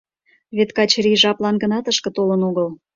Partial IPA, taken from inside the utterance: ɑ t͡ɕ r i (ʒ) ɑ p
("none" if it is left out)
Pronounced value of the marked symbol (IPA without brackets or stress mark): ʒ